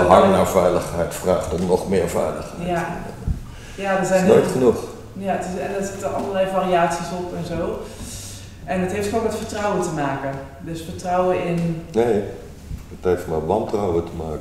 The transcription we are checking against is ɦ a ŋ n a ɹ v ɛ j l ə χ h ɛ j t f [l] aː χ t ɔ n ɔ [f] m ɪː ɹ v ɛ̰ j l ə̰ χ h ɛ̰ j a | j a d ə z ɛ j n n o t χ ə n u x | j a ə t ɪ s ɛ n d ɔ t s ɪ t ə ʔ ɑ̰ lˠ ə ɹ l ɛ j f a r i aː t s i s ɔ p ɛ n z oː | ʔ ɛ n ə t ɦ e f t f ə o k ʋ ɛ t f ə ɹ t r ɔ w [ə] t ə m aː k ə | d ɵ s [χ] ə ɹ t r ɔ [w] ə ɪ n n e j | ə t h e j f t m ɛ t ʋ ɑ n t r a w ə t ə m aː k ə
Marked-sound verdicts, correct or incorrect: incorrect: r, incorrect: χ, correct, incorrect: f, correct

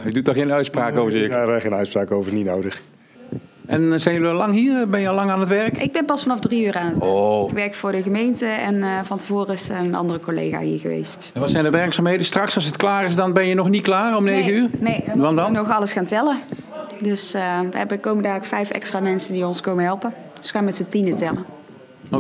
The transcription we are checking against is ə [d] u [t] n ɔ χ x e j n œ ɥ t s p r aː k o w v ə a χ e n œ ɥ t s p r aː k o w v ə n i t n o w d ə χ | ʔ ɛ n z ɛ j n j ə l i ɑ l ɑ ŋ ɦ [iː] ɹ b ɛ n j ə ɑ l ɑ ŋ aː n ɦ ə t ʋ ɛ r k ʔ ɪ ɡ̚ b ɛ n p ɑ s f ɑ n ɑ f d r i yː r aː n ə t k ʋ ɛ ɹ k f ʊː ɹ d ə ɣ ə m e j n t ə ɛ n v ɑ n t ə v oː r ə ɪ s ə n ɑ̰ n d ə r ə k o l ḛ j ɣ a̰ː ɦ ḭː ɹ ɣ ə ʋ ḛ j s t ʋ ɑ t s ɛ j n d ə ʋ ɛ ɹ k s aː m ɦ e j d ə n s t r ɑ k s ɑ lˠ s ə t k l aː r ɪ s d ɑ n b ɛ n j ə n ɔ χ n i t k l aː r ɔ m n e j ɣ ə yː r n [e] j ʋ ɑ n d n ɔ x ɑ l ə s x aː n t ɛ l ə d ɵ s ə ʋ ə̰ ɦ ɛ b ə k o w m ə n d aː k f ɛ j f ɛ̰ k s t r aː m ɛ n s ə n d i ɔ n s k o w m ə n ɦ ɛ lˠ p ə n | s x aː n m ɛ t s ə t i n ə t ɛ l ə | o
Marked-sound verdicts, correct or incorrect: correct, correct, correct, correct

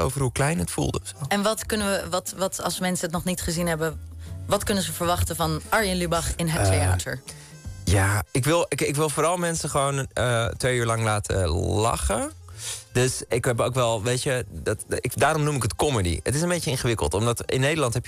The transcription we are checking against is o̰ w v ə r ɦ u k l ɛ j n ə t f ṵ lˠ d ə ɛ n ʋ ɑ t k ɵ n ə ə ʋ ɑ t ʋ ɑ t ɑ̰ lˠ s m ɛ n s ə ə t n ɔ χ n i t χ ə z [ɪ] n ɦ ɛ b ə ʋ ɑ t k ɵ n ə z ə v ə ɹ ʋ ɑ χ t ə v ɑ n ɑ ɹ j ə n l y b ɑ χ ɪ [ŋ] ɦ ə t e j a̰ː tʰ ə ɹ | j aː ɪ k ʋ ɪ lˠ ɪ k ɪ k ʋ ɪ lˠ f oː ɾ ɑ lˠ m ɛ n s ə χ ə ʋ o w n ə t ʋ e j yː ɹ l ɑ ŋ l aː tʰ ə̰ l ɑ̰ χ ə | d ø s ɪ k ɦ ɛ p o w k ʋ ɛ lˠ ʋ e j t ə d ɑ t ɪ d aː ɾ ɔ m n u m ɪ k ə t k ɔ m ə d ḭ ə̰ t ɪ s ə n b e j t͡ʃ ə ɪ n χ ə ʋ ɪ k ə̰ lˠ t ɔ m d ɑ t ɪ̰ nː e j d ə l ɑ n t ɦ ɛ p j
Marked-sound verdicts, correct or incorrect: incorrect: i, incorrect: n

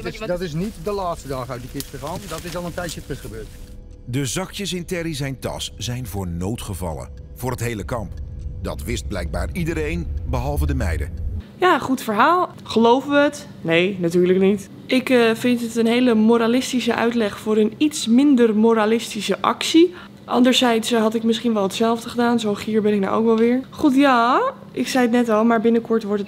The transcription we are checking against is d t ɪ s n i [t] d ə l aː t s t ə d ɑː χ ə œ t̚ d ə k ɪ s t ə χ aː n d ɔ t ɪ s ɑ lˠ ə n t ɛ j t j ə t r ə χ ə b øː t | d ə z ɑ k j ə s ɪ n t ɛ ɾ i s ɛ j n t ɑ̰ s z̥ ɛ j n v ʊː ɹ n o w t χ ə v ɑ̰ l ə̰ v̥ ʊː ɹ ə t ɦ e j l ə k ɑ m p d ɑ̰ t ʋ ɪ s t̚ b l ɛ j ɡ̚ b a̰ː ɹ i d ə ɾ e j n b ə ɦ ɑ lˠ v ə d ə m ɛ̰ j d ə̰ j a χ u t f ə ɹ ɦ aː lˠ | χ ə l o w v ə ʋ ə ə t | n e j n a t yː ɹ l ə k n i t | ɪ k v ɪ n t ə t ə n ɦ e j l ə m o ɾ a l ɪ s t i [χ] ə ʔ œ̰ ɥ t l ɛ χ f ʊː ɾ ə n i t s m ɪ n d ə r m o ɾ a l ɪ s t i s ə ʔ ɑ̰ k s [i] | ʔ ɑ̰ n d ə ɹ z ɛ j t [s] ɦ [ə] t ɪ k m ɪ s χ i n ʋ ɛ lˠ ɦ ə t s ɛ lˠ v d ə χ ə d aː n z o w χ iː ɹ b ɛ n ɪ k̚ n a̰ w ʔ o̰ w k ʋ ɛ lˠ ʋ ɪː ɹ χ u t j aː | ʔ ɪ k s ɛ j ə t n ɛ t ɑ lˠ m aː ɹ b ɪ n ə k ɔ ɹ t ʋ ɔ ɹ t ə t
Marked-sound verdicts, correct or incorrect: correct, incorrect: s, correct, correct, incorrect: ɑ

